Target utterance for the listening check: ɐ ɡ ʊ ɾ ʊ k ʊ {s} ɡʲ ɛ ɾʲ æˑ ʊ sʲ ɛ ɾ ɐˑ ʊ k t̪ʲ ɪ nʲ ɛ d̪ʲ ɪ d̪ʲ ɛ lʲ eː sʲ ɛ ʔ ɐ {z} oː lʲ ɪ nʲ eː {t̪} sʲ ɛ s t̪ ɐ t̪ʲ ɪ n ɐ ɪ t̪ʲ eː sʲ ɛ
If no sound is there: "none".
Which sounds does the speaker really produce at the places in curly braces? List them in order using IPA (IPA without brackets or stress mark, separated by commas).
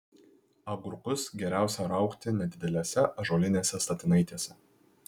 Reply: s, ʒ, none